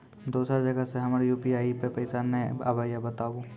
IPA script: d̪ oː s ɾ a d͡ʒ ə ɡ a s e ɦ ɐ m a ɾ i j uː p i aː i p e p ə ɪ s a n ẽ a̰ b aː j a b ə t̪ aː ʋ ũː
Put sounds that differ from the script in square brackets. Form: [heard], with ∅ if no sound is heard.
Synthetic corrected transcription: d̪ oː s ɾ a d͡ʒ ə ɡ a s e ɦ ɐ m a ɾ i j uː p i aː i p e p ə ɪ s a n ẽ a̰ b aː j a b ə t̪ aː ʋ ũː